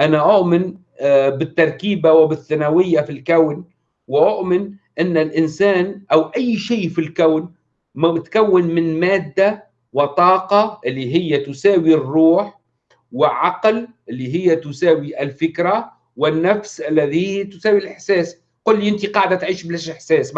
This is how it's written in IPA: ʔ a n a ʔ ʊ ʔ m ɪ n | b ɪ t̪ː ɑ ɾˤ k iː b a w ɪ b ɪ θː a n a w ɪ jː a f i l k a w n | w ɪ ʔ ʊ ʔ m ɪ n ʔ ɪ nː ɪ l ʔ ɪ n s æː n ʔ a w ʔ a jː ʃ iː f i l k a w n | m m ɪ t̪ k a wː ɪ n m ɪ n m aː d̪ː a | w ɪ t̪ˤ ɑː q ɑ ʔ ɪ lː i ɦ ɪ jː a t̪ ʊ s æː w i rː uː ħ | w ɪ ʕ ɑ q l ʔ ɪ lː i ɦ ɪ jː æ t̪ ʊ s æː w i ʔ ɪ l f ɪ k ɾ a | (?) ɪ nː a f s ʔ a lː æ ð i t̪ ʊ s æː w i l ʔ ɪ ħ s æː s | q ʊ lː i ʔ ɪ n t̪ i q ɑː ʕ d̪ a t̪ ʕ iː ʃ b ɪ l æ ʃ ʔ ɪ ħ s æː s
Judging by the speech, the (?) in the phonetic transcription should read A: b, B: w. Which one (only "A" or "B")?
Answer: B